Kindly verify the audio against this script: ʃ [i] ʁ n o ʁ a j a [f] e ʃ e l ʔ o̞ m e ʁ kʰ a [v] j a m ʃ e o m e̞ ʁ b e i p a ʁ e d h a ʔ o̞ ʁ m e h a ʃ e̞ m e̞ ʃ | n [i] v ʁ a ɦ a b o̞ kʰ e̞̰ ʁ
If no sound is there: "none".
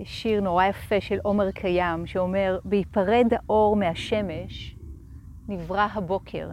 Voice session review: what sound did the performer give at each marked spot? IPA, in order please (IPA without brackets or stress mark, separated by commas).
i, f, none, i